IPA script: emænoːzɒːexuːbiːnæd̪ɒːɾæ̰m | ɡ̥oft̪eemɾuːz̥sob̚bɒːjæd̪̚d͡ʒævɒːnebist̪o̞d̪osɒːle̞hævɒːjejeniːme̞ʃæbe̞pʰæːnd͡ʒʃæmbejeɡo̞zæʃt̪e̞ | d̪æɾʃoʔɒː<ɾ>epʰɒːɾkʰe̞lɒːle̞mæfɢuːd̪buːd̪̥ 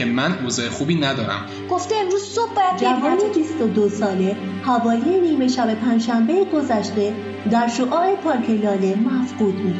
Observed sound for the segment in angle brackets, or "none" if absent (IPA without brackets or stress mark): ɾ